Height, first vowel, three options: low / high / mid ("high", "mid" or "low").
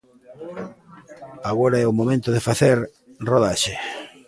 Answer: low